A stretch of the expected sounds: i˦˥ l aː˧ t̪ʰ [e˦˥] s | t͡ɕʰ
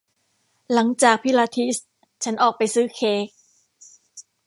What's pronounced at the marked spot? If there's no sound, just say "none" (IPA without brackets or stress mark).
i˦˥